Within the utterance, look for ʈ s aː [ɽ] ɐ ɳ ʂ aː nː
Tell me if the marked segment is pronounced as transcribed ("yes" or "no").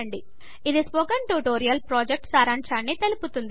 no